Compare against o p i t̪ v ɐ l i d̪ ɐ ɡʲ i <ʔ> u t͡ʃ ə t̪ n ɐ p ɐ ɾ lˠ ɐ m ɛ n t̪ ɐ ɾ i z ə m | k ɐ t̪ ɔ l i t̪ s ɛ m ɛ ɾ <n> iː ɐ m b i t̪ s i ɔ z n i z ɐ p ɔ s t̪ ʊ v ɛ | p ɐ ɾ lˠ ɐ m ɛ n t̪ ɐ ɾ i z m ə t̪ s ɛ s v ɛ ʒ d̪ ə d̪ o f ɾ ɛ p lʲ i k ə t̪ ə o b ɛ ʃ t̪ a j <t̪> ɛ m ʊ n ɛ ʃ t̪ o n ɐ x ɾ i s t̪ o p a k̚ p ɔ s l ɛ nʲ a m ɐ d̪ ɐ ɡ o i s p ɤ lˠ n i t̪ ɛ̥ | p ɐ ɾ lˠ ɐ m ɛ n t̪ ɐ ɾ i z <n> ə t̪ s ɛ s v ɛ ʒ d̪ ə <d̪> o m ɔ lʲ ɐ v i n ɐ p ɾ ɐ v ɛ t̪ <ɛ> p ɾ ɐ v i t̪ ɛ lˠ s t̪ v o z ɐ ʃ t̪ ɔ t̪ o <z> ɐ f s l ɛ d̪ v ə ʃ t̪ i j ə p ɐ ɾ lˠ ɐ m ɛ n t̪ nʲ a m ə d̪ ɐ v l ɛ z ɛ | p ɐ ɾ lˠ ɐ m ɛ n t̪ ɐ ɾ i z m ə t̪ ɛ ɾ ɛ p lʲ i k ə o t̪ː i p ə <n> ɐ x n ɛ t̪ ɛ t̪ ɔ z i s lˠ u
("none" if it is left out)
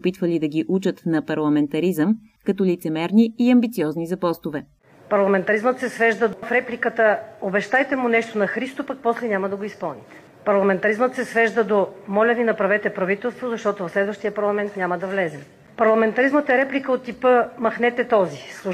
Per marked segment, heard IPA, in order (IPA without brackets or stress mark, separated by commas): ʔ, n, t̪, m, d̪, ɛ, v, m